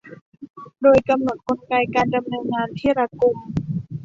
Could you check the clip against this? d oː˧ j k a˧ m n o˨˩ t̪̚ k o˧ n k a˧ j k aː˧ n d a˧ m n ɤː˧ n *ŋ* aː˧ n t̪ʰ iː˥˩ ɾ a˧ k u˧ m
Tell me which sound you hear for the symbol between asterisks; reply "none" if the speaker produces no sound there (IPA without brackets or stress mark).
ŋ